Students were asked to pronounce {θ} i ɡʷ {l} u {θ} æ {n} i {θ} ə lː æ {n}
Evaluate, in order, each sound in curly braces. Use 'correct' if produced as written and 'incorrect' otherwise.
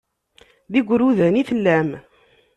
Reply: incorrect, incorrect, incorrect, correct, correct, incorrect

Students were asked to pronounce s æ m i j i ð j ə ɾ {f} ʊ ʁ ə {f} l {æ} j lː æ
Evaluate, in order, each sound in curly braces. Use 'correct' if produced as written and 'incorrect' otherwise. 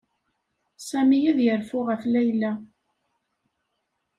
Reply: correct, correct, correct

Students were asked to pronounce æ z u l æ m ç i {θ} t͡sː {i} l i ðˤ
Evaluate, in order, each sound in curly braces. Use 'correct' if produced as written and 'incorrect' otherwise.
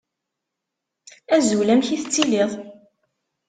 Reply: correct, correct

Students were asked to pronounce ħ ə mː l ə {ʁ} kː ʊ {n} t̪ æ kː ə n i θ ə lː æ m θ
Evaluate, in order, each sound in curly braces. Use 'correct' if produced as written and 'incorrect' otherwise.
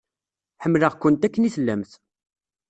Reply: correct, correct

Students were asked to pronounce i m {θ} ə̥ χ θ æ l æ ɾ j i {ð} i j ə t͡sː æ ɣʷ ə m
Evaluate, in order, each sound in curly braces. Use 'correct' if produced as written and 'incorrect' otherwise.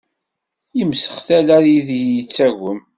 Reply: incorrect, correct

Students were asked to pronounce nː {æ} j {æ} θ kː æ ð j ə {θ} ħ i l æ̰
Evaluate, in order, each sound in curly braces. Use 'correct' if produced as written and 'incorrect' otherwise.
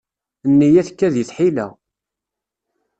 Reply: incorrect, correct, correct

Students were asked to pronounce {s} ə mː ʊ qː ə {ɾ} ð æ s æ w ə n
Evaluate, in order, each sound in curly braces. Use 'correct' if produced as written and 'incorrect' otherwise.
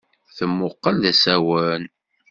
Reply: incorrect, incorrect

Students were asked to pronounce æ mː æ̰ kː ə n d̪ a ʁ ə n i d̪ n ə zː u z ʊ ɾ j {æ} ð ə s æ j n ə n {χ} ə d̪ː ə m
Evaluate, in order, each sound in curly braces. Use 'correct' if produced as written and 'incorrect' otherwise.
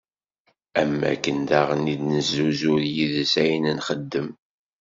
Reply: incorrect, correct

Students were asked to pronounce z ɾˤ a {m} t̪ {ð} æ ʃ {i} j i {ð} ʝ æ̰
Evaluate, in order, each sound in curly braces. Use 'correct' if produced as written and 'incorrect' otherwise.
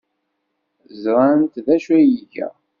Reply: incorrect, correct, incorrect, incorrect

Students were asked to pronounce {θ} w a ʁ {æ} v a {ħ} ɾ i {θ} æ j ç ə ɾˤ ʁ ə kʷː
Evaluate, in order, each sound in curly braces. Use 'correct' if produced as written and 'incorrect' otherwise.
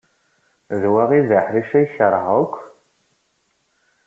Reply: incorrect, incorrect, correct, incorrect

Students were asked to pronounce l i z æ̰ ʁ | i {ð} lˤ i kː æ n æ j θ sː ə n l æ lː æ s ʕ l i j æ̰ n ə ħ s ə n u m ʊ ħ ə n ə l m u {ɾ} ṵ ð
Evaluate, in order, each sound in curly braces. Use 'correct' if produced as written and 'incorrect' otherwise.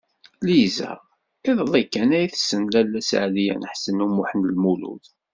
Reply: correct, incorrect

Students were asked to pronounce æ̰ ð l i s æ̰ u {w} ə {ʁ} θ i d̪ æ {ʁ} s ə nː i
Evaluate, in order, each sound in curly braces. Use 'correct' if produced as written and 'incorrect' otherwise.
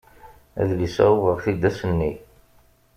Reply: incorrect, correct, incorrect

